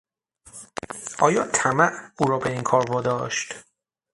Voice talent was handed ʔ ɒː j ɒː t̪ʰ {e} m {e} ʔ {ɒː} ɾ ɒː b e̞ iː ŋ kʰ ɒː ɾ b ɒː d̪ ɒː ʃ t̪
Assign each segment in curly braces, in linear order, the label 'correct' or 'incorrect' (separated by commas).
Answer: incorrect, incorrect, incorrect